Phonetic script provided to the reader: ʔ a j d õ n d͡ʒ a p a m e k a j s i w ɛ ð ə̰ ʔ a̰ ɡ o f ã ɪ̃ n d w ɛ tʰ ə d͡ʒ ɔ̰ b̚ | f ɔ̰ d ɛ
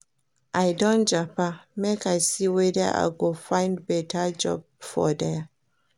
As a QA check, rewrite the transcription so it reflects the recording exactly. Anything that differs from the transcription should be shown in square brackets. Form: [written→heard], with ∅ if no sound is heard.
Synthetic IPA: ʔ a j d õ n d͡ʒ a p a m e k a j s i w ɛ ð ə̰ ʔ a̰ ɡ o f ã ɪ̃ n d [w→b] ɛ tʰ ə d͡ʒ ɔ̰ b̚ | f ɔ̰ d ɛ

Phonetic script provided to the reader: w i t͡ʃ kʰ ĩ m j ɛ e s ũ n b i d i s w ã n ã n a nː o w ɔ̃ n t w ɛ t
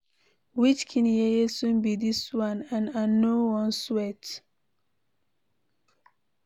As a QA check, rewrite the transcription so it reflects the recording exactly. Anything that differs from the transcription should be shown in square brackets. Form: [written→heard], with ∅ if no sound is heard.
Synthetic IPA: w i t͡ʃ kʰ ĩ [m→n] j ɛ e s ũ n b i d i s w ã n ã n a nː o w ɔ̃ n [t→s] w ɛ t

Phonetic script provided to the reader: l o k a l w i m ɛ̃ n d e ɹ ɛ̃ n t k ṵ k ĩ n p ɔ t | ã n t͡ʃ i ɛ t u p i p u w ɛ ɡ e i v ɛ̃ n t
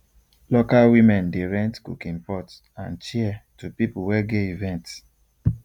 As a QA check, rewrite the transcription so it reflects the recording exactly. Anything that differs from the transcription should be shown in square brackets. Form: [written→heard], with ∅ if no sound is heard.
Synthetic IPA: l o k a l w i m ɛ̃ n d e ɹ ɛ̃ n t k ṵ k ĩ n p ɔ t | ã n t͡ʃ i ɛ t u p i p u w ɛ ɡ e i v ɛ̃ n t

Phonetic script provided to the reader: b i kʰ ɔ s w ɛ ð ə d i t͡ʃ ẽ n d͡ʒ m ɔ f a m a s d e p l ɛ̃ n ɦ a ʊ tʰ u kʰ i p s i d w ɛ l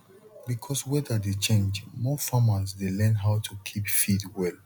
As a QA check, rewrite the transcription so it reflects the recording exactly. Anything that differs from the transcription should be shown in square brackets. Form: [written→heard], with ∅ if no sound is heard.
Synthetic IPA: b i kʰ ɔ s w ɛ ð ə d [i→e] t͡ʃ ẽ n d͡ʒ m ɔ f a m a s d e [p→∅] l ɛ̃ n ɦ a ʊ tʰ u kʰ i p [s→f] i d w ɛ l

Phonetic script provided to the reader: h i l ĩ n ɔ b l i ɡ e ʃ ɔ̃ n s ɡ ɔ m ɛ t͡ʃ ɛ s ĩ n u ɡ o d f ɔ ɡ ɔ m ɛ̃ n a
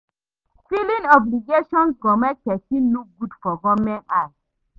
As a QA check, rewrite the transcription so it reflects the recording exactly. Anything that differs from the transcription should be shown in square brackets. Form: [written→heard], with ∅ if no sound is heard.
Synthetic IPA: [h→f] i l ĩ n ɔ b l i ɡ e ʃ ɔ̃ n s ɡ ɔ m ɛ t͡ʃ ɛ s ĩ n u ɡ [o→u] d f ɔ ɡ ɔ m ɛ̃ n a

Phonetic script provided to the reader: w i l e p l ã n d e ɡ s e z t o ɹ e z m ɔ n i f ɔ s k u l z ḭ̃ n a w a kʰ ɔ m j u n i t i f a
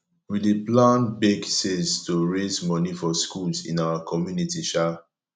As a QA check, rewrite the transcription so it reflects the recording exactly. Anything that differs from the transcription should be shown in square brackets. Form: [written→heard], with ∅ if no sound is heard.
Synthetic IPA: w i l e p l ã n [d→b] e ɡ s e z t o ɹ e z m ɔ n i f ɔ s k u l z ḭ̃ n a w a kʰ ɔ m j u n i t i [f→ʃ] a

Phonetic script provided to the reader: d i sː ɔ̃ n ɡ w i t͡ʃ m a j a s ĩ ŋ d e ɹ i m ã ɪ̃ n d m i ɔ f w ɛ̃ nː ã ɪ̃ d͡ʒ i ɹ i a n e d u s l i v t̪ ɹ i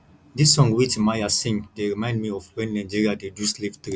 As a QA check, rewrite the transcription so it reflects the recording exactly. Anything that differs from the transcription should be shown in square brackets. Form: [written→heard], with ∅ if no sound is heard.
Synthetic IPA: d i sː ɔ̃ [n→ŋ] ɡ w i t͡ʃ m a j a s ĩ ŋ d e ɹ i m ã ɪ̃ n d m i ɔ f w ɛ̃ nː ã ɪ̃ d͡ʒ i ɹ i a [n→d] e d u s l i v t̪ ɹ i

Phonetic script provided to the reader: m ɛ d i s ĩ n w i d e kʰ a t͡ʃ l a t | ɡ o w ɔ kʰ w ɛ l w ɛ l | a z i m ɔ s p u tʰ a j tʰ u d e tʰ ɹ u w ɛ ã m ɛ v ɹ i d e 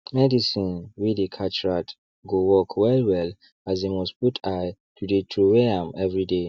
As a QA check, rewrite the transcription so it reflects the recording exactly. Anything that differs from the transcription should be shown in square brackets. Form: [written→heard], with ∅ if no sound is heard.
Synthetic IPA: m ɛ d i s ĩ n w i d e kʰ a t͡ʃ [l→ɹ] a t | ɡ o w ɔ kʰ w ɛ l w ɛ l | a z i m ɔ s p u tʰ a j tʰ u d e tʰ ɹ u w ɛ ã m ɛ v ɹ i d e

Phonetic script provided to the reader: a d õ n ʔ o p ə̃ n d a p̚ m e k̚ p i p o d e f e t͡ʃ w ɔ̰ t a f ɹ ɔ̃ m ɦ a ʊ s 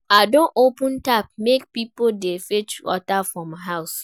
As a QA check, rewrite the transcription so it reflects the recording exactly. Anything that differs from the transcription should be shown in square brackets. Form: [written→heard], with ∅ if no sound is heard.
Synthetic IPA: a d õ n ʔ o p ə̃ n [d→t] a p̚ m e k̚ p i p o d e f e t͡ʃ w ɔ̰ t a f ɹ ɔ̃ m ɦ a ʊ s

